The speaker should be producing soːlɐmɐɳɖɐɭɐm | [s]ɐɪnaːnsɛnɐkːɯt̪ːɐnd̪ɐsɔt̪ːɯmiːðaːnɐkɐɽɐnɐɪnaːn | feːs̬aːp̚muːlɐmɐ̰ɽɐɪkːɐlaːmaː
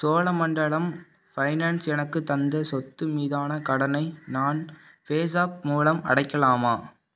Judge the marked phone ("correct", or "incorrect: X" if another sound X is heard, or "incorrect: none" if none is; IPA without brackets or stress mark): incorrect: f